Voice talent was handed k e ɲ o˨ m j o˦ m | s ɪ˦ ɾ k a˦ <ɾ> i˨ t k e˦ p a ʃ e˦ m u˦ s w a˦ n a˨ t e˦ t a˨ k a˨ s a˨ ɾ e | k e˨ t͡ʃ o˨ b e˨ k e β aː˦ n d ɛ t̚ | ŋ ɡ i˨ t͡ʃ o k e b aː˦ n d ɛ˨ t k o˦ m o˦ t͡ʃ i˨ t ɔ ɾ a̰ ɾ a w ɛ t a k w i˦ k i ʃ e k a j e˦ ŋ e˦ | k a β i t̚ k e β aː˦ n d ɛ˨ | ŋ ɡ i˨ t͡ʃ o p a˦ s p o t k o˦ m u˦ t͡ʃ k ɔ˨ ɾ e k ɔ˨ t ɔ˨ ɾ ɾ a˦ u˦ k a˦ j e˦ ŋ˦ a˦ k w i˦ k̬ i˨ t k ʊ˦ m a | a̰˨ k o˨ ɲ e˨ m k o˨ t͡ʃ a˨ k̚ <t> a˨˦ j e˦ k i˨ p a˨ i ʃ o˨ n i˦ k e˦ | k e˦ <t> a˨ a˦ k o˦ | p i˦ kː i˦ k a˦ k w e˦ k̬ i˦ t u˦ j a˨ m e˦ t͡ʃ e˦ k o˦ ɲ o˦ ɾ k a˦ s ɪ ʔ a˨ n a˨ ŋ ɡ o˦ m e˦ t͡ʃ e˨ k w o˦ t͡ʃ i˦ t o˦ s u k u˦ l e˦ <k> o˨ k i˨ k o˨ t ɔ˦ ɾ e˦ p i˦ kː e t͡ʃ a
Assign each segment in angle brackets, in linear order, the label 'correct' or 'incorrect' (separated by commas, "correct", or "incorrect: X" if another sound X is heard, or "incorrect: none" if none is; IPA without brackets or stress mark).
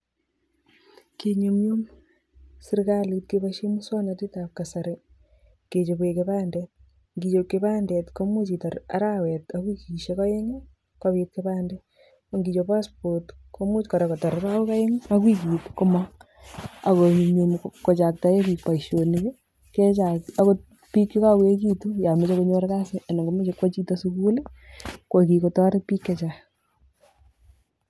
incorrect: l, correct, incorrect: t͡ʃ, correct